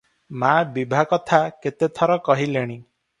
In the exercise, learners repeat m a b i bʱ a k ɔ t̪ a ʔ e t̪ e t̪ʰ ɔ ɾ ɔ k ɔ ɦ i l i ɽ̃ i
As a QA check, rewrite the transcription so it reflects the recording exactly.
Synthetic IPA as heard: m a b i bʱ a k ɔ t̪ʰ a k e t̪ e t̪ʰ ɔ ɾ ɔ k ɔ ɦ i l e ɽ̃ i